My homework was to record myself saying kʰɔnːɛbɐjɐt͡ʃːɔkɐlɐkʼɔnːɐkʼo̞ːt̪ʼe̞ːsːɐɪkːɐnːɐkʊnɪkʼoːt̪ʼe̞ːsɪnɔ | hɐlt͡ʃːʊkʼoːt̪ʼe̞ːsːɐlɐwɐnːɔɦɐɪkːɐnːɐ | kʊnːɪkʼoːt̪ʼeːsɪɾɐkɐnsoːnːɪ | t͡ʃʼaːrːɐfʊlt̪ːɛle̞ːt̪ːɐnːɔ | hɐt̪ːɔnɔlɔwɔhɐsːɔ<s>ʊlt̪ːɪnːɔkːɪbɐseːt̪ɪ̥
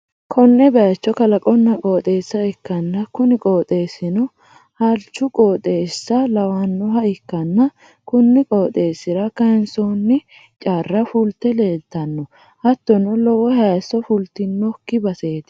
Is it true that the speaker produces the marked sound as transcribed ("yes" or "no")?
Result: no